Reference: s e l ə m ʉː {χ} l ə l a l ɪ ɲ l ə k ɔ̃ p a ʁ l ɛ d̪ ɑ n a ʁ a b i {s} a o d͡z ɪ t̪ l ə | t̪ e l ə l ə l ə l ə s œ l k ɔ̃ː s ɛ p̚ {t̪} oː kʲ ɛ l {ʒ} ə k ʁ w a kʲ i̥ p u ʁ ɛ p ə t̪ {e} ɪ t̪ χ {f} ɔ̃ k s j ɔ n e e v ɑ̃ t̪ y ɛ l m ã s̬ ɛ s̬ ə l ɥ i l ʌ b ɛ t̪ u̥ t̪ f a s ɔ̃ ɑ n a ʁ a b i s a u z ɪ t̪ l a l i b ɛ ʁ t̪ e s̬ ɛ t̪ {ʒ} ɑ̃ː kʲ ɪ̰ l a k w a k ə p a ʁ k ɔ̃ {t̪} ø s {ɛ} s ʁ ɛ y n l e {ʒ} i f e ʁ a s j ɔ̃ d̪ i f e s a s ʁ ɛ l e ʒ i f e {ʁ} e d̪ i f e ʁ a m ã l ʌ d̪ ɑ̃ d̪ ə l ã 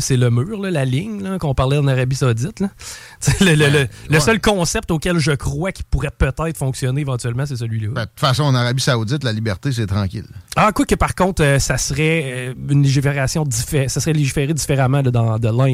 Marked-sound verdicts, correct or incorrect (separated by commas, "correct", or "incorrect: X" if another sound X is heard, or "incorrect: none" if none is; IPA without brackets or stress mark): incorrect: ʁ, correct, correct, correct, incorrect: ɛ, correct, incorrect: ʁ, correct, incorrect: a, correct, correct